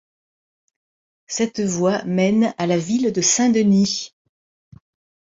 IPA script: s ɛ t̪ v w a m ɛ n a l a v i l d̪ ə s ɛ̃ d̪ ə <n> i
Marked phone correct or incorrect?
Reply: correct